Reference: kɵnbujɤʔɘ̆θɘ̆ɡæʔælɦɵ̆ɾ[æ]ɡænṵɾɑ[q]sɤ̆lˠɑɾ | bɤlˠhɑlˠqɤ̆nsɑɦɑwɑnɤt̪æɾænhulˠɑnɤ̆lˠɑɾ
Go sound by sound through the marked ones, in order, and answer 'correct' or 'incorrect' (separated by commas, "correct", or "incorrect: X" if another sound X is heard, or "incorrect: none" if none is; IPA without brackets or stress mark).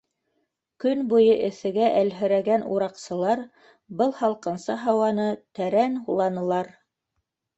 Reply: correct, correct